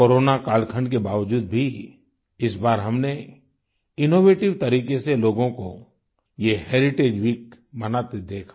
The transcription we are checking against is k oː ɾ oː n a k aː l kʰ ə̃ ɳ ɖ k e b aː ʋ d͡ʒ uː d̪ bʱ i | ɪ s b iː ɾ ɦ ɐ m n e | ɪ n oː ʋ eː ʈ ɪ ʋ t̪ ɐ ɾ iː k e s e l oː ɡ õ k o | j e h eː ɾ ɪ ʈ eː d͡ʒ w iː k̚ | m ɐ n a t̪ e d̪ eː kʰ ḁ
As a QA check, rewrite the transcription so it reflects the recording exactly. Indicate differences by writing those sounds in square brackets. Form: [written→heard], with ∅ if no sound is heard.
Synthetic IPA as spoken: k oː ɾ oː n a k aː l kʰ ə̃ ɳ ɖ k e b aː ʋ d͡ʒ uː d̪ bʱ i | ɪ s b [iː→aː] ɾ ɦ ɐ m n e | ɪ n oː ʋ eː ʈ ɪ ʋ t̪ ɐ ɾ iː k e s e l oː ɡ õ k o | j e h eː ɾ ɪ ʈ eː d͡ʒ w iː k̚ | m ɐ n a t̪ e d̪ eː kʰ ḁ